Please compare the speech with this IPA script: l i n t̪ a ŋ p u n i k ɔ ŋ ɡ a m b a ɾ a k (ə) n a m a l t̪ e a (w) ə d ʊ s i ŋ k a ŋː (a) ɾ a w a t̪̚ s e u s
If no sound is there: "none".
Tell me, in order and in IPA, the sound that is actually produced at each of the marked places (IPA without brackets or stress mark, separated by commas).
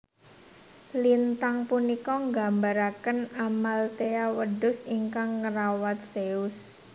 ə, w, ə